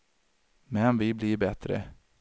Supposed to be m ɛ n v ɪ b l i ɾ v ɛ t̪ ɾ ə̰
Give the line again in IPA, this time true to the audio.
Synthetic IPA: m ɛ n v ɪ b l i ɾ b ɛ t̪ ɾ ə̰